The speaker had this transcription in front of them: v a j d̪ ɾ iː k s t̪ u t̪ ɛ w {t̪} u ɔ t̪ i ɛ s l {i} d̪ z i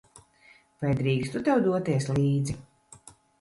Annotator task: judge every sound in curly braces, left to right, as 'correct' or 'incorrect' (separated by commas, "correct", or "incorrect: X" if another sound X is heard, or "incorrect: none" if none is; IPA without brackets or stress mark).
incorrect: d̪, incorrect: iː